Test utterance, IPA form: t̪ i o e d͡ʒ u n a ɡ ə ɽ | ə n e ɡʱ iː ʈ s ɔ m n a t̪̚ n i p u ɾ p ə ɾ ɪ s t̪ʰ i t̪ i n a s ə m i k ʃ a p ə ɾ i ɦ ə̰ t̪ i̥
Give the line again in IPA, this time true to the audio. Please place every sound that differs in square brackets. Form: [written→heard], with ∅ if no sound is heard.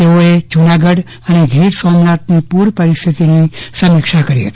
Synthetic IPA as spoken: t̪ [i→e] o e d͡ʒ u n a ɡ ə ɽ | ə n e ɡʱ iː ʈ s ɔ m n a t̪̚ n i p u ɾ p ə ɾ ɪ s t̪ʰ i t̪ i n [a→i] s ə m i k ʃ a [p→k] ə ɾ i ɦ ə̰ t̪ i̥